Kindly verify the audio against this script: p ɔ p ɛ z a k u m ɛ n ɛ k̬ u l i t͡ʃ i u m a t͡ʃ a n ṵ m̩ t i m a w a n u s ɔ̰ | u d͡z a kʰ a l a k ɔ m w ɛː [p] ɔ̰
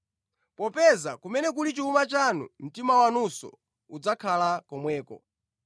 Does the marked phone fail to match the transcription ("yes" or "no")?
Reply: yes